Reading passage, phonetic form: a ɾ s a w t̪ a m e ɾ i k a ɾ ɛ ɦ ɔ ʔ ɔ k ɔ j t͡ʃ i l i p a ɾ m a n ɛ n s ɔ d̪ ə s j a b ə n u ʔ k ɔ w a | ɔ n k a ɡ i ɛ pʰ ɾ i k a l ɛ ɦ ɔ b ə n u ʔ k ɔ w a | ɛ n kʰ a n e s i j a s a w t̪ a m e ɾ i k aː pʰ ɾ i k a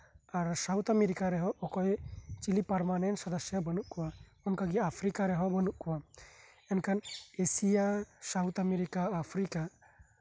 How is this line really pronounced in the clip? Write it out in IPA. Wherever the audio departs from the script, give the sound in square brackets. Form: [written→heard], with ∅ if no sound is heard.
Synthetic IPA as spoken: a ɾ s a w t̪ a m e ɾ i k a ɾ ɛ ɦ ɔ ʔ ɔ k ɔ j t͡ʃ i l i p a ɾ m a n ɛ n s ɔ d̪ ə s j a b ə n u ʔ k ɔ w a | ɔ n k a ɡ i [ɛ→a] pʰ ɾ i k a [l→ɾ] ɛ ɦ ɔ b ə n u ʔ k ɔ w a | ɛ n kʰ a n e s i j a s a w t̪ a m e ɾ i k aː pʰ ɾ i k a